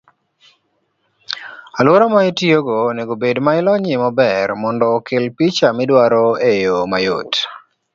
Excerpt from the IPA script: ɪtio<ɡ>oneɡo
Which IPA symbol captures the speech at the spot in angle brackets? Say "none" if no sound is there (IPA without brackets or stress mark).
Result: ɡ